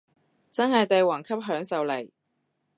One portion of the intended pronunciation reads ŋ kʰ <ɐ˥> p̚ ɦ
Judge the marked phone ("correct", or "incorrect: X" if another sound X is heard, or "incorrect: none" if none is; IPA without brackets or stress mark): correct